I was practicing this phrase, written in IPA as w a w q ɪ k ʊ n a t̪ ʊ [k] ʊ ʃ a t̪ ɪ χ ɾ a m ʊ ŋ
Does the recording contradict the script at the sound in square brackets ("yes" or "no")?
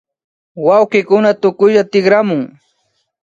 no